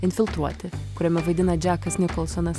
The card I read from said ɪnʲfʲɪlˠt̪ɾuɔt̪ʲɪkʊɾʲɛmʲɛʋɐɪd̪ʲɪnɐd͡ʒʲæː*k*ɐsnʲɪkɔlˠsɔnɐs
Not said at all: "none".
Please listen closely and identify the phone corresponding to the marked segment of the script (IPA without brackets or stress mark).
k